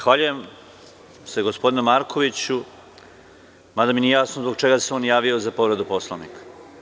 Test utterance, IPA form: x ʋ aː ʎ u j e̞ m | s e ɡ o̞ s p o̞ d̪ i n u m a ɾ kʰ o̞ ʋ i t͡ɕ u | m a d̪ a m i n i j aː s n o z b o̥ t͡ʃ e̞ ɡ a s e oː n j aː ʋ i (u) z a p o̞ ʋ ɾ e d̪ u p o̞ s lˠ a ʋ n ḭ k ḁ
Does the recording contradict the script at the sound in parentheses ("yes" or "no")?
yes